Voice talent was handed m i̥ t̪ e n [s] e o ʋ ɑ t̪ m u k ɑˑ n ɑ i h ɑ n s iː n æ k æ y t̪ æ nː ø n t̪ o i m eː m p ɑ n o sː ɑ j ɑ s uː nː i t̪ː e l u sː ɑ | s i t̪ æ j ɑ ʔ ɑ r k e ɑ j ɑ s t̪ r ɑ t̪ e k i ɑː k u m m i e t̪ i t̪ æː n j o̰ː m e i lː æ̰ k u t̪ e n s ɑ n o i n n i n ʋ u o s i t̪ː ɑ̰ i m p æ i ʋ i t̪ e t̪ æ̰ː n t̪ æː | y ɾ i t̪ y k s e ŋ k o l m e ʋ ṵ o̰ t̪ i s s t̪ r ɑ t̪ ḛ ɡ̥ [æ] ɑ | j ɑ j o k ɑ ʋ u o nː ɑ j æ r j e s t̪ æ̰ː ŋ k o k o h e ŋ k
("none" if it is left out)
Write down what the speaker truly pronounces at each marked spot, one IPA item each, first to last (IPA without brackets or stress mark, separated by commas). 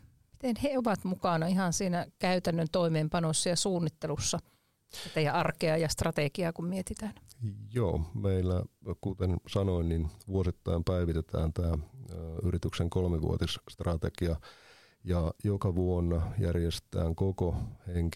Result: h, i